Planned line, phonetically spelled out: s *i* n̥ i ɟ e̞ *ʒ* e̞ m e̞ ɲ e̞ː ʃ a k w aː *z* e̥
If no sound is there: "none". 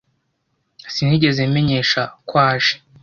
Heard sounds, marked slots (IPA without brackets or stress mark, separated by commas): i, z, ʒ